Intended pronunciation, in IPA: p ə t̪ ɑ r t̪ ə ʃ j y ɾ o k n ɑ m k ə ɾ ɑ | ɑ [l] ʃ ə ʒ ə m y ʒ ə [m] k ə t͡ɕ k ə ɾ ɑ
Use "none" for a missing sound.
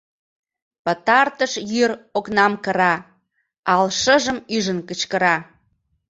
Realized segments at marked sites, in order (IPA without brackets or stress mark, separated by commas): l, n